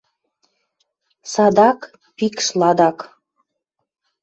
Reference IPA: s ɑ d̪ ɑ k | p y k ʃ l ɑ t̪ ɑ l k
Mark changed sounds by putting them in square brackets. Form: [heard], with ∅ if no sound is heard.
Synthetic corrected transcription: s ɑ d̪ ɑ k | p [i] k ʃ l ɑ [d̪] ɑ [∅] k